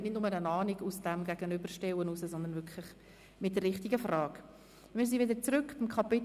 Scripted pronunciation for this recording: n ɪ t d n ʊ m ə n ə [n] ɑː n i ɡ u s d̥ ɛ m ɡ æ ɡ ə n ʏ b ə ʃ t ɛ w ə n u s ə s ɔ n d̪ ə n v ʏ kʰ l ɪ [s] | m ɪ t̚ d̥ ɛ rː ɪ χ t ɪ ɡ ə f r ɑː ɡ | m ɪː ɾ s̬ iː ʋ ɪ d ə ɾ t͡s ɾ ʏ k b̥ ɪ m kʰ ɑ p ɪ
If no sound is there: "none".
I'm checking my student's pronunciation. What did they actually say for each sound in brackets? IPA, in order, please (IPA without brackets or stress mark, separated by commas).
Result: n, χ